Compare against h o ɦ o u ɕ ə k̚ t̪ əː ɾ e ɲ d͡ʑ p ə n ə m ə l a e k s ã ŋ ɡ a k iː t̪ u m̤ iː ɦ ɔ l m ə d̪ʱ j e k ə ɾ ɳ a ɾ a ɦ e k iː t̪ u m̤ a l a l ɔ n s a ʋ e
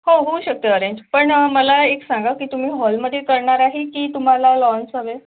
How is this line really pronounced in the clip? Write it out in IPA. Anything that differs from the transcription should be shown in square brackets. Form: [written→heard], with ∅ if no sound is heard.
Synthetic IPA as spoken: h o ɦ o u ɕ ə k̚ t̪ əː ɾ e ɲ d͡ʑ p ə [n→ɳ] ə m ə l a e k s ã ŋ ɡ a k iː t̪ u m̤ iː ɦ ɔ l m ə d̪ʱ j e k ə ɾ ɳ a ɾ a ɦ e k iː t̪ u m̤ a l a l ɔ n s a ʋ e